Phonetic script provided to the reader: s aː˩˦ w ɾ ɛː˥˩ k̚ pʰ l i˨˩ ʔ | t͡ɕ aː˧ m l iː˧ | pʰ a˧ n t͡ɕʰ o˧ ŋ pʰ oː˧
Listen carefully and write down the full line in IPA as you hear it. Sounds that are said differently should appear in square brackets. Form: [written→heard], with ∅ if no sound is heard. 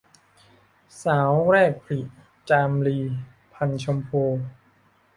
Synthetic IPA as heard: s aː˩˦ w ɾ ɛː˥˩ k̚ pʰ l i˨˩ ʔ | t͡ɕ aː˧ m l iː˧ | pʰ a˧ n t͡ɕʰ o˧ [ŋ→m] pʰ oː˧